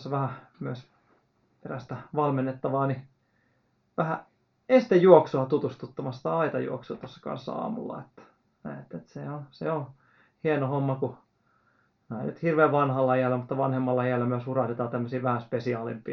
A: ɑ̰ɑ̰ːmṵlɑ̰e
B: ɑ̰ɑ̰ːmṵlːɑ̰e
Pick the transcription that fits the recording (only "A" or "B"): B